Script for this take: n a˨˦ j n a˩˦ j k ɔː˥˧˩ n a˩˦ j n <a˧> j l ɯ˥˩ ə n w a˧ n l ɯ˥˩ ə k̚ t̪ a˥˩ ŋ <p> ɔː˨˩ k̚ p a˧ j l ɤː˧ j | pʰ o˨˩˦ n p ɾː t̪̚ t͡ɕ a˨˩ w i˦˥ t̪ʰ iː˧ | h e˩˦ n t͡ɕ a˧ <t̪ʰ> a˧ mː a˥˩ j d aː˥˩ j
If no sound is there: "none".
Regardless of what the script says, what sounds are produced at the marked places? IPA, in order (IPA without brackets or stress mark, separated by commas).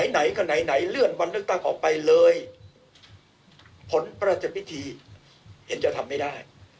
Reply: a˩˦, ʔ, t̪ʰ